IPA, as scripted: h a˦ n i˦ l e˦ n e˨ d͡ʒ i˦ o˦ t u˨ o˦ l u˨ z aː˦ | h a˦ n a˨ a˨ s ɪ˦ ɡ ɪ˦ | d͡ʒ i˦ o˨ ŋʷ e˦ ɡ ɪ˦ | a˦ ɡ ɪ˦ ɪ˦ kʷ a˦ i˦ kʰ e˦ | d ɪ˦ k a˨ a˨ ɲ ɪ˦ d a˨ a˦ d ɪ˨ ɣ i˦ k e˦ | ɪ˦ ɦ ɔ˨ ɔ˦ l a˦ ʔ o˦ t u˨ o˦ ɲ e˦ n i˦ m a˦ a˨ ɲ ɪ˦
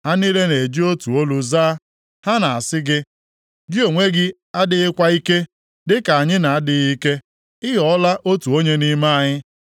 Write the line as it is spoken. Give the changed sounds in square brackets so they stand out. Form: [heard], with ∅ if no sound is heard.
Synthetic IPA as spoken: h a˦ n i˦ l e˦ n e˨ d͡ʒ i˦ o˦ t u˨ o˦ l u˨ z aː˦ | h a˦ n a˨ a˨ s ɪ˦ ɡ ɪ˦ | d͡ʒ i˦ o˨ ŋʷ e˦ ɡ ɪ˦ | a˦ [d] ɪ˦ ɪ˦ kʷ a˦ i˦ [k] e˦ | d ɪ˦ k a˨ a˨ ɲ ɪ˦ [n] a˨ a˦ d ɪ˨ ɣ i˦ k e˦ | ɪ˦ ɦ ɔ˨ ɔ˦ l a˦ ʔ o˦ t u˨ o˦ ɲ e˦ n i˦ m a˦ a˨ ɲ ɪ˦